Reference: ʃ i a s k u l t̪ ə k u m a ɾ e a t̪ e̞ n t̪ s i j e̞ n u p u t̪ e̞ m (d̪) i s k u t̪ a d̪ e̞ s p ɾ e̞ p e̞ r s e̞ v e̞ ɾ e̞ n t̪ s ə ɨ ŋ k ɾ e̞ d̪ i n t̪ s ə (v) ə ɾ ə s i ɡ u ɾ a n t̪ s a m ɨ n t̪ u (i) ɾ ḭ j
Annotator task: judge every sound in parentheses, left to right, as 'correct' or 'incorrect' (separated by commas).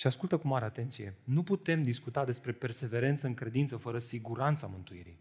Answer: correct, incorrect, correct